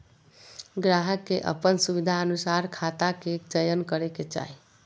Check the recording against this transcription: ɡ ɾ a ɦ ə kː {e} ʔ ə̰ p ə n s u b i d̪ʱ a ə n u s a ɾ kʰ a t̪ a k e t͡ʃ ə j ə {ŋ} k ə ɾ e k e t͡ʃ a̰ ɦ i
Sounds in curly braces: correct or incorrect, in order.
correct, incorrect

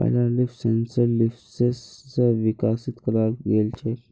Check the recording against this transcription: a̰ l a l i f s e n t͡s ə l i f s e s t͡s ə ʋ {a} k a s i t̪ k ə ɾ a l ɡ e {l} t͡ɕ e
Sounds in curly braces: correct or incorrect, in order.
incorrect, correct

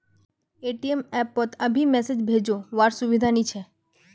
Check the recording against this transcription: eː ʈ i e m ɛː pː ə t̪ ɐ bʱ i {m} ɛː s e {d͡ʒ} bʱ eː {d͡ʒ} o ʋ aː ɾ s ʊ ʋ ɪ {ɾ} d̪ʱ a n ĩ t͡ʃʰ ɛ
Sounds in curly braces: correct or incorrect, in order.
correct, correct, correct, incorrect

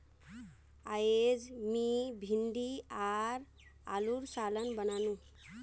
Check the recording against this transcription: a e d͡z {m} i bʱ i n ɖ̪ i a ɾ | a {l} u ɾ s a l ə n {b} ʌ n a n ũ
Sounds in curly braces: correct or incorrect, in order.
correct, correct, correct

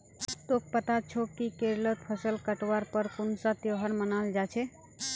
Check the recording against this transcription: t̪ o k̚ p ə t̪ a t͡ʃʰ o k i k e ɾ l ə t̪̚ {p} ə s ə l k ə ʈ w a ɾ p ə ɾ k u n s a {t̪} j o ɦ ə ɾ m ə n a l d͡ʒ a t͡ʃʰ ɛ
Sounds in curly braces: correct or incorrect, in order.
incorrect, correct

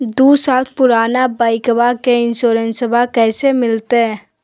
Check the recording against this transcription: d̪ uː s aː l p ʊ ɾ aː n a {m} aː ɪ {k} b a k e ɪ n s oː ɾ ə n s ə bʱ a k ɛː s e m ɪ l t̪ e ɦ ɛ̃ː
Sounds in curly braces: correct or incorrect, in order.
incorrect, correct

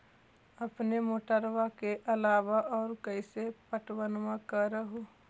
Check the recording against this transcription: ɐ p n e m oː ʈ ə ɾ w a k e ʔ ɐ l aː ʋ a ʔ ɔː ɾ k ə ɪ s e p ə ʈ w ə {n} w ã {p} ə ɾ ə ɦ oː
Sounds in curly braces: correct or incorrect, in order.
correct, incorrect

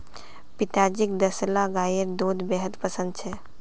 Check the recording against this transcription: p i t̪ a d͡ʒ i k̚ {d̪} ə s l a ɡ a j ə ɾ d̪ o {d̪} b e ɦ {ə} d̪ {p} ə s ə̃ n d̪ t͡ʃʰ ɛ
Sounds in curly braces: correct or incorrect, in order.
correct, correct, correct, correct

